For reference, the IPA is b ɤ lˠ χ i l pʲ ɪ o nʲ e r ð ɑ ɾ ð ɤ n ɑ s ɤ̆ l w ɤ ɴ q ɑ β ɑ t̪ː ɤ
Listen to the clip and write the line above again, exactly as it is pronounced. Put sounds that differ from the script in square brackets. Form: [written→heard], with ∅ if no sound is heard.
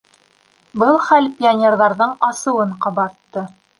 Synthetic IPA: b ɤ lˠ χ [i→æ] l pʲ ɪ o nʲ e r ð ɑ ɾ ð ɤ [n→ɴ] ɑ s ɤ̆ [l→∅] w ɤ ɴ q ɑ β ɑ t̪ː ɤ